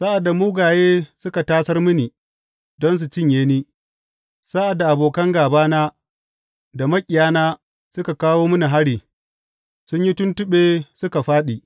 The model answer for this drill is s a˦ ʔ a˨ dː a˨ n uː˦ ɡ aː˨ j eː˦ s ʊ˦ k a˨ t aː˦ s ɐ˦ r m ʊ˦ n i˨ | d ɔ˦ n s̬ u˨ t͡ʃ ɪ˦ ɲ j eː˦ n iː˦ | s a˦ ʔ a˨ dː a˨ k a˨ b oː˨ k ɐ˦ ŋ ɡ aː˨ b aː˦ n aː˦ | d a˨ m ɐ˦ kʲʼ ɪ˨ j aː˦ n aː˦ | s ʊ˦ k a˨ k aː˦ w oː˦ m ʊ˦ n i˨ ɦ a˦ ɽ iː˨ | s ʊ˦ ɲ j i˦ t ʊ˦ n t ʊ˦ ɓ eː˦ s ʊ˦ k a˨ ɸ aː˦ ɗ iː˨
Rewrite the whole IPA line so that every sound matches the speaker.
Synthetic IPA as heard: s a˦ ʔ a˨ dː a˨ m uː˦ ɡ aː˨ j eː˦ s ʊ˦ k a˨ t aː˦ s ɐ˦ r m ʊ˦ n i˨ | d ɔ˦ n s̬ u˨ t͡ʃ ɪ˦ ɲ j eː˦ n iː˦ | s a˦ ʔ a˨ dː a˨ ʔ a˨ b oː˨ k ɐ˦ ŋ ɡ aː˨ b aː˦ n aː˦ | d a˨ m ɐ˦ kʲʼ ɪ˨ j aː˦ n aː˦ | s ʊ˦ k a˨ k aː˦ w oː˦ m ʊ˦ n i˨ ɦ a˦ ɽ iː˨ | s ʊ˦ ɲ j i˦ t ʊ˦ n t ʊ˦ ɓ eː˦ s ʊ˦ k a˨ ɸ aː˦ ɗ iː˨